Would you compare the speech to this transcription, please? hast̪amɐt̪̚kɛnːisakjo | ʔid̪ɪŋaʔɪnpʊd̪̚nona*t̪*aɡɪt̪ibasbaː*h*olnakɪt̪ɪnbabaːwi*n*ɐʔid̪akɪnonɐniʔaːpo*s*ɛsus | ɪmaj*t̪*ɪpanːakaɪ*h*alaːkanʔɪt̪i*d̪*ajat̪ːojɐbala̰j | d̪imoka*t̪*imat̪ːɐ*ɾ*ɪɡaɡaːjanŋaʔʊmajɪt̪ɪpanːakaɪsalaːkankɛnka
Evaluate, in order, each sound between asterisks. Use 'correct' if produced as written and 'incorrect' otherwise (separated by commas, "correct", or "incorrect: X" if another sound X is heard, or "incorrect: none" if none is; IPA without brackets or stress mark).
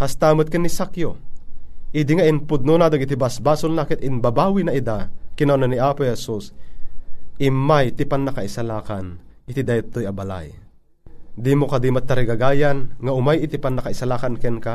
incorrect: d̪, incorrect: s, correct, incorrect: h, correct, incorrect: s, correct, incorrect: d̪, correct